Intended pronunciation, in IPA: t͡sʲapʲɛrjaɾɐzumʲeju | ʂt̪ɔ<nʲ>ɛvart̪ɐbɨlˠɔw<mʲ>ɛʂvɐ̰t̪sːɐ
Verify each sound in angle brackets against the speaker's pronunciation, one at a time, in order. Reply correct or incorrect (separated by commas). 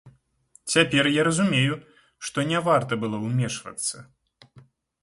correct, correct